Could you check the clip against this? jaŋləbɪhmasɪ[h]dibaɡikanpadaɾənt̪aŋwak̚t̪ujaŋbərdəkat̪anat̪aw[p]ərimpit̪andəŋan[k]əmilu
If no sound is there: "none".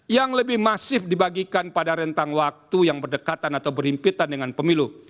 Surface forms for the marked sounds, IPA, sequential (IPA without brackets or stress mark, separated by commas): f, b, p